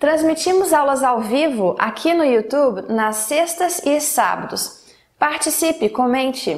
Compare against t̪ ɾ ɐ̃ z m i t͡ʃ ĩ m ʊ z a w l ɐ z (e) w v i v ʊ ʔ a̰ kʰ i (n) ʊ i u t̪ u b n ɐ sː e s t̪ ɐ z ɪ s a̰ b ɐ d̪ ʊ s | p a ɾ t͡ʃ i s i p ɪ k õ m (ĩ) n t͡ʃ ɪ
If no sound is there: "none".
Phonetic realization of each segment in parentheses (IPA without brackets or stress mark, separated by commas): a, n, ẽ